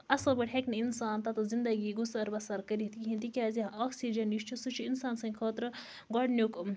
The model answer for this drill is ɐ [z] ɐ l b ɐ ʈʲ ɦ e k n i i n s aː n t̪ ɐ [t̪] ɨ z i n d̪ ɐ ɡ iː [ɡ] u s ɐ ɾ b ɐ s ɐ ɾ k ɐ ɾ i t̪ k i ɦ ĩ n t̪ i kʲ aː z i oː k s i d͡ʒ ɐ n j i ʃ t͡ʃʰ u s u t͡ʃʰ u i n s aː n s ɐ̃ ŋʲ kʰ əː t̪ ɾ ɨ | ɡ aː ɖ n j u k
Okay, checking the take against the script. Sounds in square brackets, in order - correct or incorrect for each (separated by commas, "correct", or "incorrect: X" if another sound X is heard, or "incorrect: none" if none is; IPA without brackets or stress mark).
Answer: incorrect: s, correct, correct